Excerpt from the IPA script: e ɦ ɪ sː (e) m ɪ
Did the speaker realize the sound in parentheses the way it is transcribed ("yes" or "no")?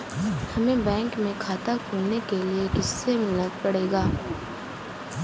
yes